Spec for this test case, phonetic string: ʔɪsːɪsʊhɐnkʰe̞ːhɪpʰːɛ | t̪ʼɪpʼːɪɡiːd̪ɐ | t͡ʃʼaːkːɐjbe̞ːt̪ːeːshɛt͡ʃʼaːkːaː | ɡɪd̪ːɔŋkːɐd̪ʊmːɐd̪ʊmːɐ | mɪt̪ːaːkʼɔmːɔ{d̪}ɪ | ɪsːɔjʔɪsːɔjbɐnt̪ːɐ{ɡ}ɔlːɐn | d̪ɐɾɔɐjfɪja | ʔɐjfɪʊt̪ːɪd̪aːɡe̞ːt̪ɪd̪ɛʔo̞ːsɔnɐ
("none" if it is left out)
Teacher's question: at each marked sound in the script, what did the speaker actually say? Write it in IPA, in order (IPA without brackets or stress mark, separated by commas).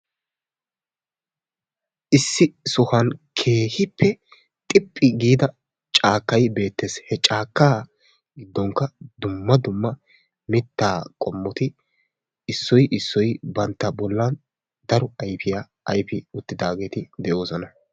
t̪, b